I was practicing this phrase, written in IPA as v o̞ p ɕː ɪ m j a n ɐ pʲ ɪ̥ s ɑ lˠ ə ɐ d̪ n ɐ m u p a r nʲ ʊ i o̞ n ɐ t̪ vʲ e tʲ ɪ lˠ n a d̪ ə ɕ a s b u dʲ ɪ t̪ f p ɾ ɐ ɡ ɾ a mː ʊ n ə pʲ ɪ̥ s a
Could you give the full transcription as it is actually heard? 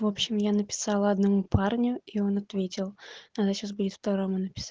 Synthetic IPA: v o̞ p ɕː ɪ m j a n ə pʲ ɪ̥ s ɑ lˠ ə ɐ d̪ n ɐ m u p a r nʲ ʊ i o̞ n ɐ t̪ vʲ e tʲ ɪ lˠ n a d̪ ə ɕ a s b u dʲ ɪ t̪ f p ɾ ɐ ɡ ɾ a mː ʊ n ə pʲ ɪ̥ s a